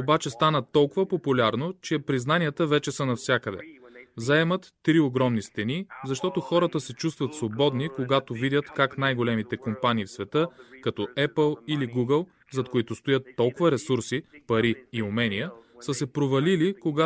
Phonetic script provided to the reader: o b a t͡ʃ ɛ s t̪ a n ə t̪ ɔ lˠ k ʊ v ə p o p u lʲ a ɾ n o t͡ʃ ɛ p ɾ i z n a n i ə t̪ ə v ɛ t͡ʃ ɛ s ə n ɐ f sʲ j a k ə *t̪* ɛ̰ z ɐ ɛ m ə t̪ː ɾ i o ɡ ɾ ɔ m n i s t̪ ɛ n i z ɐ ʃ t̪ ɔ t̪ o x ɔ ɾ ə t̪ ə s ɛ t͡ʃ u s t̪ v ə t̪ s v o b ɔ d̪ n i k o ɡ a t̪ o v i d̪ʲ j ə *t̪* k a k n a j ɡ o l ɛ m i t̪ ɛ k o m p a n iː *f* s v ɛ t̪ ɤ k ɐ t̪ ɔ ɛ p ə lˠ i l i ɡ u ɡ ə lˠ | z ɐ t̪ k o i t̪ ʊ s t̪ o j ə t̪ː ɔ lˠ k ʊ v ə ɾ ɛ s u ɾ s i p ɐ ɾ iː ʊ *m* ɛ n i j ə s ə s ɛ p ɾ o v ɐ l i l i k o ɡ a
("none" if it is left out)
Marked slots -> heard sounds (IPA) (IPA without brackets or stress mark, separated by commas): d̪, t̪, f, m